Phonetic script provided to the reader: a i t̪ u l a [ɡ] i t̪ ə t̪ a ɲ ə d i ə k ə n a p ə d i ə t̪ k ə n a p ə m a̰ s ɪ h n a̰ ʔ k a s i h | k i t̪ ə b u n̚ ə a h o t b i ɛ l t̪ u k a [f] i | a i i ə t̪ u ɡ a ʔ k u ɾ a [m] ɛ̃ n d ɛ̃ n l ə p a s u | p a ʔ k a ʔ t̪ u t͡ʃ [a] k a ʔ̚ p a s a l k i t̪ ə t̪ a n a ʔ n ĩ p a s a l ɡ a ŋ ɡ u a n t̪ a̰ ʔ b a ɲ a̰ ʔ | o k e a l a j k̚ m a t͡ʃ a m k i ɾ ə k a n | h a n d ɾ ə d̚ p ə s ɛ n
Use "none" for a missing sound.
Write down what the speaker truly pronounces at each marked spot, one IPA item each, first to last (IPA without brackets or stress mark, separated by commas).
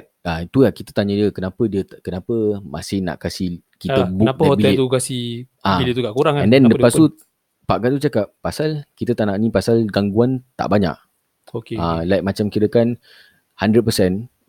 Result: k, s, ŋ, a